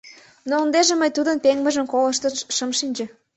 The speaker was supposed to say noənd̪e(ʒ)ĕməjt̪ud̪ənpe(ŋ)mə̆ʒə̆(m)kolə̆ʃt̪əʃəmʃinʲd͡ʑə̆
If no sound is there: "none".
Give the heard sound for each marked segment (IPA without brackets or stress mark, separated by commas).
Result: ʒ, ŋ, m